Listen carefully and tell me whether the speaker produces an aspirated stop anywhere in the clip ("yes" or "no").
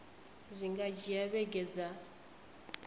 no